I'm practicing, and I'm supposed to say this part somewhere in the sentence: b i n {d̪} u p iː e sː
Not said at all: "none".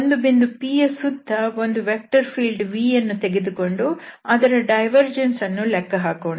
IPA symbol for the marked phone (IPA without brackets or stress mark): d̪